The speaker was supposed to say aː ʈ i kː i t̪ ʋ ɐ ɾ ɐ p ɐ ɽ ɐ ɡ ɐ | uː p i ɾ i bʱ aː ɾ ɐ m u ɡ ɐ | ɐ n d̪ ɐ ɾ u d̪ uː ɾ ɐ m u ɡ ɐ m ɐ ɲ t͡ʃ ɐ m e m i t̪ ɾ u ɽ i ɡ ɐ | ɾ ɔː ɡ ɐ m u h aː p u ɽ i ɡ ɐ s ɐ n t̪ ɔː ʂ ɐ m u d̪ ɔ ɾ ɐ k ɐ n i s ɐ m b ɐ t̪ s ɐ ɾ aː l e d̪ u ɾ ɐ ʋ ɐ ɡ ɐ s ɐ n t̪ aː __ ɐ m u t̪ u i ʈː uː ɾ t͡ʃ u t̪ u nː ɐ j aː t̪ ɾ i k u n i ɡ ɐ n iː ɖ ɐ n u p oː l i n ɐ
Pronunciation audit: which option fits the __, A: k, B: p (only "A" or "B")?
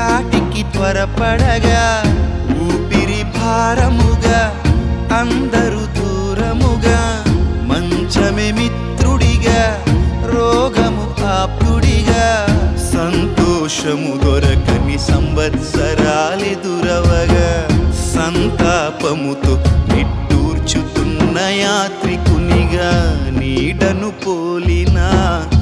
B